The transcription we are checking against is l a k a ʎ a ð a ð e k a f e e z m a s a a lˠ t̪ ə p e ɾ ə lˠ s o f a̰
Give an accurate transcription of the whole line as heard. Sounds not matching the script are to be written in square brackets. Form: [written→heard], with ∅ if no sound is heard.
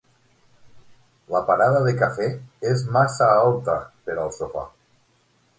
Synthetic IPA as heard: l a [k→p] a [ʎ→ɾ] a ð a ð e k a f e e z m a s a a lˠ t̪ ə p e ɾ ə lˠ s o f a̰